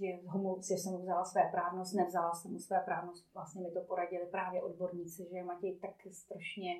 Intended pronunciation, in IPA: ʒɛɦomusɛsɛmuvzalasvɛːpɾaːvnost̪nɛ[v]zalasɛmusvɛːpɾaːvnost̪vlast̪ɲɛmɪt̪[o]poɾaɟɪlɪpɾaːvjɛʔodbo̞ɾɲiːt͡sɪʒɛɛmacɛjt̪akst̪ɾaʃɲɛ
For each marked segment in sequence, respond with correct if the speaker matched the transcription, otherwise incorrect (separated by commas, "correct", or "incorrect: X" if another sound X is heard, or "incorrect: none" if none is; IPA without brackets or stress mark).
correct, correct